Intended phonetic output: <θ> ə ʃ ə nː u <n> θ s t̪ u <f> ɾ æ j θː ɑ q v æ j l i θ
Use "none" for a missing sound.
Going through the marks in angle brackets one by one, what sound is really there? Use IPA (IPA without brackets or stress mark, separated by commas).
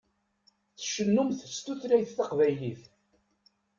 θ, m, θ